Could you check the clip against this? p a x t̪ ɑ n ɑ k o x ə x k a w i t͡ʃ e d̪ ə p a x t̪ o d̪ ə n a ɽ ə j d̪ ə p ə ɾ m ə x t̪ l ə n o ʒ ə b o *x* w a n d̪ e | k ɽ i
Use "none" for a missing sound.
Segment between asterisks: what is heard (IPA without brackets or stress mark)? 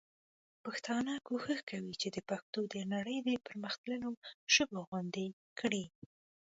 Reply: ɣ